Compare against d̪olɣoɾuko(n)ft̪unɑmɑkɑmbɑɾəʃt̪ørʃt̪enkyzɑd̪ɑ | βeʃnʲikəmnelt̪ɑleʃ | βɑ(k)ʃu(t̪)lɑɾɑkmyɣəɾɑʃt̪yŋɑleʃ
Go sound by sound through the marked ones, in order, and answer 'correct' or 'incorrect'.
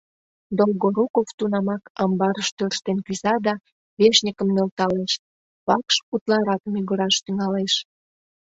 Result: incorrect: none, correct, correct

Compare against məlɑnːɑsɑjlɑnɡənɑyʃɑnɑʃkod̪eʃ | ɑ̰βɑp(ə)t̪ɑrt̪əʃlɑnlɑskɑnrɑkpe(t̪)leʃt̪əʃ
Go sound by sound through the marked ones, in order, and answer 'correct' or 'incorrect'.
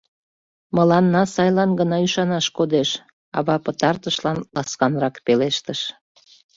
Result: correct, incorrect: none

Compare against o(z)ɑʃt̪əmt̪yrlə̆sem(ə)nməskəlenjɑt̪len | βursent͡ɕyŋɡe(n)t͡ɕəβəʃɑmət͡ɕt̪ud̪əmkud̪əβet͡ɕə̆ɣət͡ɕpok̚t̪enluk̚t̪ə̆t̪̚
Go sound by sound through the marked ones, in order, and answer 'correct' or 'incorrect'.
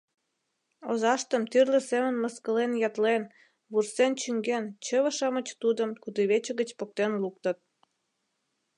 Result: correct, correct, correct

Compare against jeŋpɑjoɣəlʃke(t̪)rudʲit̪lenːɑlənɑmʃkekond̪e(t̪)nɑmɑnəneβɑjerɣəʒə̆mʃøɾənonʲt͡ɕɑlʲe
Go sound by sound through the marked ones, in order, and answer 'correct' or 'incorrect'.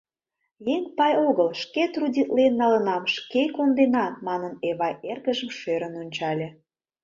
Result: correct, incorrect: none

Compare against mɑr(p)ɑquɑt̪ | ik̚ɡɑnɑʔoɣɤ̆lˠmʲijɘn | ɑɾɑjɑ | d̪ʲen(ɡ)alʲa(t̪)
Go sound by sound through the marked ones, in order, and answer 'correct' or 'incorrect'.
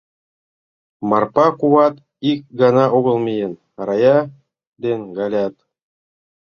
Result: correct, correct, correct

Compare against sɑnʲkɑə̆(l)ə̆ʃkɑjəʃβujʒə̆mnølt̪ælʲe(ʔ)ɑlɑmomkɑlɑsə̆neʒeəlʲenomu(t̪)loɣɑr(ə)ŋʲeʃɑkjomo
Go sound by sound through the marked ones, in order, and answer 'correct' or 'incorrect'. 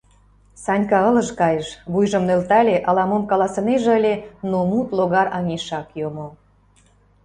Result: correct, correct, correct, incorrect: ɑ

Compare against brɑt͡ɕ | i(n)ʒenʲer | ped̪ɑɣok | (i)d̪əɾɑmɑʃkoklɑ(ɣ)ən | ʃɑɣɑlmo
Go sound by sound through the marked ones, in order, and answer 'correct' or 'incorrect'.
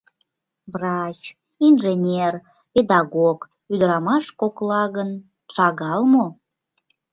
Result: correct, incorrect: y, correct

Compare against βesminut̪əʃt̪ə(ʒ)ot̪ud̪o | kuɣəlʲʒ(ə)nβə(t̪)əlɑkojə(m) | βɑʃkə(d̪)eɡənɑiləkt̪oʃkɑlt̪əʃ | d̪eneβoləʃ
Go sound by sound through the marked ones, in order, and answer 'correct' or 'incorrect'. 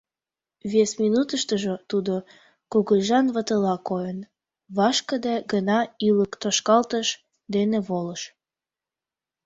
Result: correct, incorrect: ɑ, correct, incorrect: n, correct

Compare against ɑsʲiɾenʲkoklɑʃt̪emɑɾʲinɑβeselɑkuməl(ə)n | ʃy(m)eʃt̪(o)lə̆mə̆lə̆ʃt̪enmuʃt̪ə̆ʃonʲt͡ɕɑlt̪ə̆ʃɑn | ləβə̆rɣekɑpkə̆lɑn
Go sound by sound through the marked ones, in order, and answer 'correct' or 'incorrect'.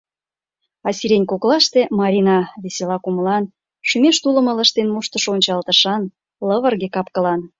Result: incorrect: ɑ, correct, incorrect: u

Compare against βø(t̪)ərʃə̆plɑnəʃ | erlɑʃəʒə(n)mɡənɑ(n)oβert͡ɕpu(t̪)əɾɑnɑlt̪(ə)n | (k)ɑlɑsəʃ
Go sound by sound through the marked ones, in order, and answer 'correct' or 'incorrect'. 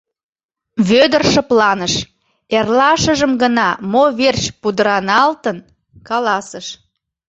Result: incorrect: d̪, incorrect: none, incorrect: m, incorrect: d̪, correct, correct

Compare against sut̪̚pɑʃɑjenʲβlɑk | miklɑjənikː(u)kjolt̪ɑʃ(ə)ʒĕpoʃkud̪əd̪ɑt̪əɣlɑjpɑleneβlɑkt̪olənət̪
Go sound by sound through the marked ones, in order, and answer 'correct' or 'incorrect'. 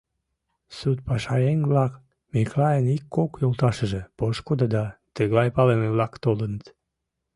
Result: incorrect: o, correct

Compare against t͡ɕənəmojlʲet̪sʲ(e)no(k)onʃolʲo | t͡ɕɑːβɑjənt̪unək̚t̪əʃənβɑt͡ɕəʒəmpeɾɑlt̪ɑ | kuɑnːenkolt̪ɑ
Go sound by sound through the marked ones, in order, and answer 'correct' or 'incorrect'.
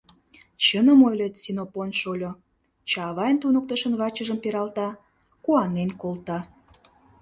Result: incorrect: i, incorrect: p

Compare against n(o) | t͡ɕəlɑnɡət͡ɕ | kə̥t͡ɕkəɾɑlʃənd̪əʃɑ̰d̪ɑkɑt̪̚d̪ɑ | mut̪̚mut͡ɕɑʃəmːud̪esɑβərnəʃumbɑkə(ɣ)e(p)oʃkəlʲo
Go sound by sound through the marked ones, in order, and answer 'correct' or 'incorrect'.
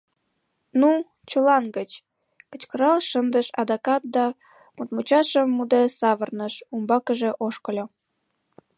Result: incorrect: u, incorrect: ʒ, incorrect: ʔ

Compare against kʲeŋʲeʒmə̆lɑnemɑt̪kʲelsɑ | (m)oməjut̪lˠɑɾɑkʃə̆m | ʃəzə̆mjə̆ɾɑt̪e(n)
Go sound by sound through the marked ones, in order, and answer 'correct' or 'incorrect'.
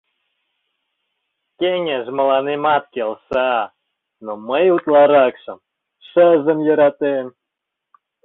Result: incorrect: n, incorrect: m

